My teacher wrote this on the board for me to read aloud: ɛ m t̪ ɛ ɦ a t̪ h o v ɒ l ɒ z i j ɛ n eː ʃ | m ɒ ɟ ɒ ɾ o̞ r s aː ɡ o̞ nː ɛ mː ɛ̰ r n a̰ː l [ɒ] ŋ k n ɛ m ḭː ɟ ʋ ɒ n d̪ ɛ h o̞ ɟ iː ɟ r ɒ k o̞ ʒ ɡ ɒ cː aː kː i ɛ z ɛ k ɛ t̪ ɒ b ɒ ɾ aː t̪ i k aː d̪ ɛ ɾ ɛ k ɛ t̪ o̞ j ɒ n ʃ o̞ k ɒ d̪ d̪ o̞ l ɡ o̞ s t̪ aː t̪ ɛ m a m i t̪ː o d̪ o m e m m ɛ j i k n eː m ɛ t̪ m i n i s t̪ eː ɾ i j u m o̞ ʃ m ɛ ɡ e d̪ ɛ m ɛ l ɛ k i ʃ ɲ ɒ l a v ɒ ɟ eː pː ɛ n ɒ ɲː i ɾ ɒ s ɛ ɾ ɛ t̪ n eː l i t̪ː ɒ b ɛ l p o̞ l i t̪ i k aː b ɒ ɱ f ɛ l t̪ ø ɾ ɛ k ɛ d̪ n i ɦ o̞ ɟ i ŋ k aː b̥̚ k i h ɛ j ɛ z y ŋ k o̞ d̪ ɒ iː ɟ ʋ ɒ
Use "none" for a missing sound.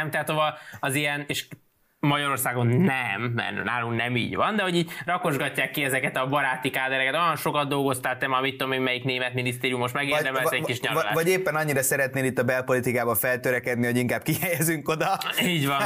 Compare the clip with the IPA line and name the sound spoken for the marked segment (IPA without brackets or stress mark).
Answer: u